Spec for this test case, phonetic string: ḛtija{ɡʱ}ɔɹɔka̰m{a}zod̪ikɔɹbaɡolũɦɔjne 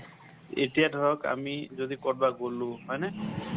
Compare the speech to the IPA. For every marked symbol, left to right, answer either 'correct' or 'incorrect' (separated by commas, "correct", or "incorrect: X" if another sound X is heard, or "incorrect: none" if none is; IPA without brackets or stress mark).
incorrect: dʱ, incorrect: i